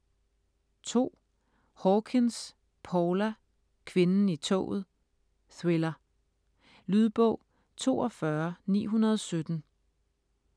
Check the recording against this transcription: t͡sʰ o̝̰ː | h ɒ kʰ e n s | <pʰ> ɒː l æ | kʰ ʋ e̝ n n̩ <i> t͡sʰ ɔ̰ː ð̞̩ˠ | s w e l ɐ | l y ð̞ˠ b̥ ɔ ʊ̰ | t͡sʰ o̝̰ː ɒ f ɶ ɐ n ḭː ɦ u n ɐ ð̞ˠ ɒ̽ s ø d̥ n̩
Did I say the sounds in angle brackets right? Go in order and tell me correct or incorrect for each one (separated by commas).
correct, correct